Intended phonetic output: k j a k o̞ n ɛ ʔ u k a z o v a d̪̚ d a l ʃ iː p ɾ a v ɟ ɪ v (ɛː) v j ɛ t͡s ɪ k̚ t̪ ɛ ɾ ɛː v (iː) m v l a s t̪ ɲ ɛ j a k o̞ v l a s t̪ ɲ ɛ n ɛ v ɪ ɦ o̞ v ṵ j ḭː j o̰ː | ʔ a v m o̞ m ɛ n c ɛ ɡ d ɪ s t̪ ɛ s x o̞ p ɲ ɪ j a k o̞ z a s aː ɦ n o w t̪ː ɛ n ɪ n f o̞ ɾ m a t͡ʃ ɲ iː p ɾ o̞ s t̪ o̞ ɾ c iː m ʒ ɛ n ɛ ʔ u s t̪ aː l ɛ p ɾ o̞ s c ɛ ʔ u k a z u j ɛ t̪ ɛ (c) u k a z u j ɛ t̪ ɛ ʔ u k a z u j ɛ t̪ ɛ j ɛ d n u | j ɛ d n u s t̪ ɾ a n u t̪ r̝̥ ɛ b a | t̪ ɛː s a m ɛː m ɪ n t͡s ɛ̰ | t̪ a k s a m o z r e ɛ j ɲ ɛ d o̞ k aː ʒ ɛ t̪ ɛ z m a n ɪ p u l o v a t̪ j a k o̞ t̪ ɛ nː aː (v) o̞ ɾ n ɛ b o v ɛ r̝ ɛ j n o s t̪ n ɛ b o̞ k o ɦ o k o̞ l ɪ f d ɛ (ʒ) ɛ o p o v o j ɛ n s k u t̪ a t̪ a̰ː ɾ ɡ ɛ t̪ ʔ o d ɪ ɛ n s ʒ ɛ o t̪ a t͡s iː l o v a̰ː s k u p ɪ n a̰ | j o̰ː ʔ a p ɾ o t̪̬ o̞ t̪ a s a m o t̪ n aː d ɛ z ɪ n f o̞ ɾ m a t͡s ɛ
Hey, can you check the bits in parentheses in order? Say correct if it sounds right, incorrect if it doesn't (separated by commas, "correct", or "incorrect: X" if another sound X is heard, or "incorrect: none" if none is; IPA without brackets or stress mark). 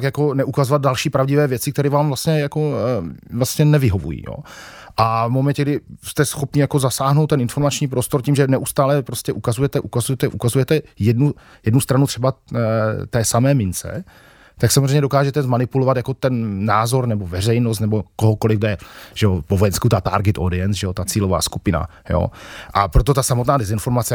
correct, incorrect: aː, incorrect: ʔ, incorrect: z, correct